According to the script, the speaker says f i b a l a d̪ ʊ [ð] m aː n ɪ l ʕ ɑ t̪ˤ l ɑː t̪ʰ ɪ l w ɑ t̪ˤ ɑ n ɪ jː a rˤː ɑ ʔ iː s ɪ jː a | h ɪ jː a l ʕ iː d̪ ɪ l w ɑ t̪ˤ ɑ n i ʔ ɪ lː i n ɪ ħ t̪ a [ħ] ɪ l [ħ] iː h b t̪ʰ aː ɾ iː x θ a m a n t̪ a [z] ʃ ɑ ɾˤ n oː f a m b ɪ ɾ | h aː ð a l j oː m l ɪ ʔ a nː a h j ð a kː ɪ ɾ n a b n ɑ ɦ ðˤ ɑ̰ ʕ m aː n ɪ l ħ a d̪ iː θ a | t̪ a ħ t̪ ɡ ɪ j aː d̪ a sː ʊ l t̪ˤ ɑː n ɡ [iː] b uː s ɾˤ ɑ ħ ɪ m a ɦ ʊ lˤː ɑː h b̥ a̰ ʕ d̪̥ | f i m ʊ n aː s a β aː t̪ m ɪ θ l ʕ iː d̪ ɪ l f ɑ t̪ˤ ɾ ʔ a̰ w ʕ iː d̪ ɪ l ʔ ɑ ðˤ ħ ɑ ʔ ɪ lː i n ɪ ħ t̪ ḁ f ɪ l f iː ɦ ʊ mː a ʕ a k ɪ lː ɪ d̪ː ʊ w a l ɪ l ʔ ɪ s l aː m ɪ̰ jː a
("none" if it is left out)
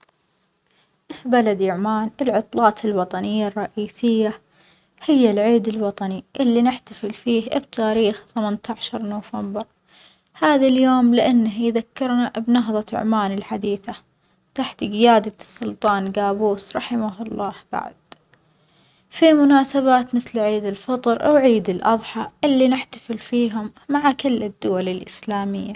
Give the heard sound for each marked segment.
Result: ʕ, f, f, ʕ, aː

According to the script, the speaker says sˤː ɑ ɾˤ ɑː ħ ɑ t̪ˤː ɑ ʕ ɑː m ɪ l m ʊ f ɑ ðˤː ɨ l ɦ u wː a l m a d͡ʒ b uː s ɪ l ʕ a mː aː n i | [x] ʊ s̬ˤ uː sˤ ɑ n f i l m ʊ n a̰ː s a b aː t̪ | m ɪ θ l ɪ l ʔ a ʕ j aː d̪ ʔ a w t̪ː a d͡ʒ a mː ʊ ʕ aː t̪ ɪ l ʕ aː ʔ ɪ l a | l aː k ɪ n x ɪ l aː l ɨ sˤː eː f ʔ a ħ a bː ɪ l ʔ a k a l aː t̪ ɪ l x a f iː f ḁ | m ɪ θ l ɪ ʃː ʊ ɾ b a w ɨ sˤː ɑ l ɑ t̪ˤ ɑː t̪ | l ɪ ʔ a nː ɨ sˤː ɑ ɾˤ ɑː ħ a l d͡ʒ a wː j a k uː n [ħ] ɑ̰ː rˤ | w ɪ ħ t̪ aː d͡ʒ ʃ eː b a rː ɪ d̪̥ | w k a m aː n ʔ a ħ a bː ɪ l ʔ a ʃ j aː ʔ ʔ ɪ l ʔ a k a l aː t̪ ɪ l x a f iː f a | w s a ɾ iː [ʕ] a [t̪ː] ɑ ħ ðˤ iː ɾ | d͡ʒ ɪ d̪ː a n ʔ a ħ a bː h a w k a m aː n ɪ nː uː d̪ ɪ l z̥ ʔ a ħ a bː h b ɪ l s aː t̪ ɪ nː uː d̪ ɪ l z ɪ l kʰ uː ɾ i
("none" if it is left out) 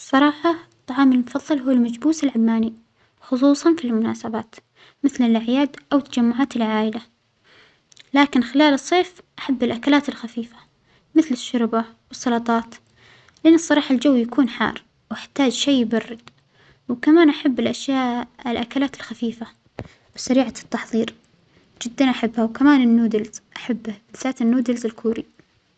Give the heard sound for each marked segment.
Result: x, ħ, ʕ, t̪ː

